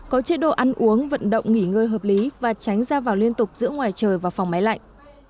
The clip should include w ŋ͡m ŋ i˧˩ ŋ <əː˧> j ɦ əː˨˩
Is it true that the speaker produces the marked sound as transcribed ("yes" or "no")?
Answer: yes